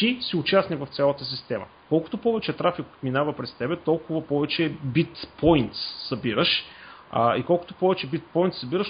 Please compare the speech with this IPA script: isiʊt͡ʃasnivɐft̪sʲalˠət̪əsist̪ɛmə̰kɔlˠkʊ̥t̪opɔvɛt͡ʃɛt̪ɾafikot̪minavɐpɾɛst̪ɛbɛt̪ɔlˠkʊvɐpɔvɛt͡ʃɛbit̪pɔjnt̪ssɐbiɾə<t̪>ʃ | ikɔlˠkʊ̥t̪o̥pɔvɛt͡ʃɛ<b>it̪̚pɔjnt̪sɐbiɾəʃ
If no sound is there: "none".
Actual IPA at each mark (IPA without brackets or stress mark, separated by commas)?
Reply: none, b